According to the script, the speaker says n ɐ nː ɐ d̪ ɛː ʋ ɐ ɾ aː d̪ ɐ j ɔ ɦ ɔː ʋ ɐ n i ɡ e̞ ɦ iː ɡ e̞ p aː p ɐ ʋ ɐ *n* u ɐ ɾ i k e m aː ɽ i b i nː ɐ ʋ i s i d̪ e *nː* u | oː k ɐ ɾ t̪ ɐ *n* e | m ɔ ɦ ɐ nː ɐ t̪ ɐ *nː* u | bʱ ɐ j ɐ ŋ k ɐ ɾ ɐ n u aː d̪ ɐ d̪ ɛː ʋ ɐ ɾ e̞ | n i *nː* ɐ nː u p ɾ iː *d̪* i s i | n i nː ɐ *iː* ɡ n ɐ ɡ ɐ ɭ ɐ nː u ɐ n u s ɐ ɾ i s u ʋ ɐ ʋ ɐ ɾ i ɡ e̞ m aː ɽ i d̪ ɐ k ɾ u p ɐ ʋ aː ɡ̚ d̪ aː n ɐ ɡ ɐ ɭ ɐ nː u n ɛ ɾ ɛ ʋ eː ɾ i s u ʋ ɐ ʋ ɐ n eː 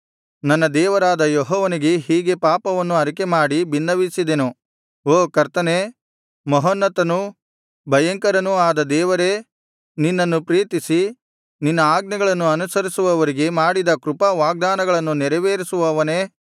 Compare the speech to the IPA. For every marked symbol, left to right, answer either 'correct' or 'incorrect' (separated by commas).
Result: incorrect, incorrect, correct, incorrect, correct, incorrect, incorrect